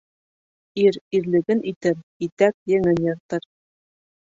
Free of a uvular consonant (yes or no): yes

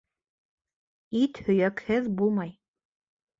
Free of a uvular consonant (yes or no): yes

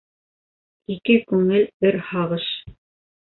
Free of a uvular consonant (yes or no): no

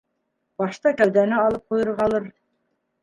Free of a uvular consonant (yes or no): no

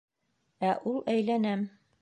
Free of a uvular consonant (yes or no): yes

